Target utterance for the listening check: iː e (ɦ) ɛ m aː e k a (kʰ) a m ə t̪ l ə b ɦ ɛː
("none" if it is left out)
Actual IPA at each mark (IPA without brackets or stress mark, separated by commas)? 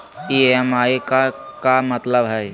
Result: none, k